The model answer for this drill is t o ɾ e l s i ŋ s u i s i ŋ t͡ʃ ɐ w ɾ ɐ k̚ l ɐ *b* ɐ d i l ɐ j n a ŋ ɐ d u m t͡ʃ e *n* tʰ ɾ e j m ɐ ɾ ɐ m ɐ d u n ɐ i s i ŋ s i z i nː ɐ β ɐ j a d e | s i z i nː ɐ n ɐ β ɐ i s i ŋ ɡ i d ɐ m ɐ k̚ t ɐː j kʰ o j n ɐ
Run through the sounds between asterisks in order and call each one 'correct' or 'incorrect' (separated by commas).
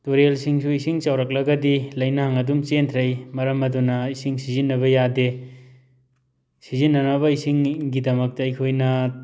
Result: incorrect, correct